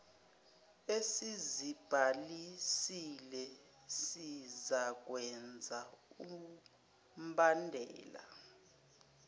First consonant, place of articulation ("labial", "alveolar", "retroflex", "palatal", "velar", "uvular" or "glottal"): alveolar